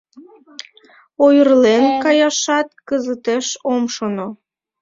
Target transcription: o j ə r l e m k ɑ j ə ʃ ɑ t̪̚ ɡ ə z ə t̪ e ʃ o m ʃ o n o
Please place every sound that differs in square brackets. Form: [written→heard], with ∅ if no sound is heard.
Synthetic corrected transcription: o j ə r l e [m→n] k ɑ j [ə→ɑ] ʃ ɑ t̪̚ [ɡ→k] ə z ə t̪ e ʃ o m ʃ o n o